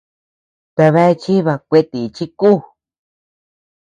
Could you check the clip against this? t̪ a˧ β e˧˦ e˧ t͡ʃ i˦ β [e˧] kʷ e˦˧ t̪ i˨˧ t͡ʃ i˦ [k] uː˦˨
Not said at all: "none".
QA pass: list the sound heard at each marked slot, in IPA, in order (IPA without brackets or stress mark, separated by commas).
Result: a˧, k